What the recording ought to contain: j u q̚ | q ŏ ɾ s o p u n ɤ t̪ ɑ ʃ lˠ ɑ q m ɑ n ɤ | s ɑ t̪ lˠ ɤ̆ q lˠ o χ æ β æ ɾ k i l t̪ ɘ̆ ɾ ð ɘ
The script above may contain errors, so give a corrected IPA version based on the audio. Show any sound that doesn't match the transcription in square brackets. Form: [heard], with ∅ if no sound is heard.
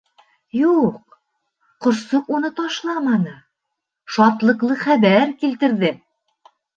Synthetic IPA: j u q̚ | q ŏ ɾ s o [q] u n ɤ t̪ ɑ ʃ lˠ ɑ [∅] m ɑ n ɤ | [ʃ] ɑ t̪ lˠ ɤ̆ q lˠ [ɤ] χ æ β æ ɾ k i l t̪ ɘ̆ ɾ ð ɘ